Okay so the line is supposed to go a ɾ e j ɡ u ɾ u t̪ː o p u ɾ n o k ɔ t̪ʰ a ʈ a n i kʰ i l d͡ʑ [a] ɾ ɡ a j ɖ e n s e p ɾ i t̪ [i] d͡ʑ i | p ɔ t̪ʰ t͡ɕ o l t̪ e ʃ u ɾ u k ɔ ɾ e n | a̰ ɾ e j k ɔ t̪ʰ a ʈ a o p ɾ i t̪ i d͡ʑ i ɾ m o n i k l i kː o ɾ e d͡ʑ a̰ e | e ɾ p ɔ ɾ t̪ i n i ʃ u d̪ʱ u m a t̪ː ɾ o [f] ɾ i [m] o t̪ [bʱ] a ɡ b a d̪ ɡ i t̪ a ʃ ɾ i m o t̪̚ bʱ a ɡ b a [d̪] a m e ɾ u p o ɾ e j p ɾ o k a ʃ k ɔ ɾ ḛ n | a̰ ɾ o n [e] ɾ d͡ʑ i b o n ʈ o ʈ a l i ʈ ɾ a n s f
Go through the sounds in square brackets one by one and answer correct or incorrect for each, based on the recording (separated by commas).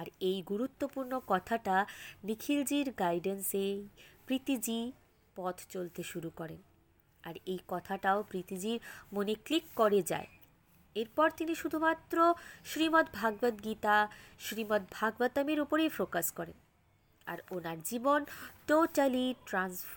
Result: incorrect, correct, incorrect, correct, correct, incorrect, incorrect